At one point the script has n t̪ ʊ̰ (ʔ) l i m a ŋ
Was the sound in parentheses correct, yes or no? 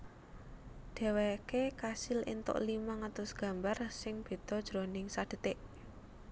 yes